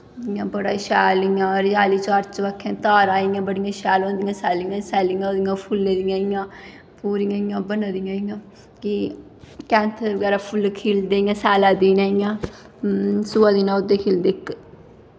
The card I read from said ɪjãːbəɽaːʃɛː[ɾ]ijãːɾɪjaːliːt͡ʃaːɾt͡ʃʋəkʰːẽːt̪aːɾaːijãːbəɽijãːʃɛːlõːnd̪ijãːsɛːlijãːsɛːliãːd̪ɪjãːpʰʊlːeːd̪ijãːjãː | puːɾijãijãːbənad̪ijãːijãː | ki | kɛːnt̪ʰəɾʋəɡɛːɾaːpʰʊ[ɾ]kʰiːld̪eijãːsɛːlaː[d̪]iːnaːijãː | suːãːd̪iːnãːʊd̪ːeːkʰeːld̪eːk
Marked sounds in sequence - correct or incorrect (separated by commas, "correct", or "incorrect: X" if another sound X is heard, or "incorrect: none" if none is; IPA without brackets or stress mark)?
incorrect: l, incorrect: l, correct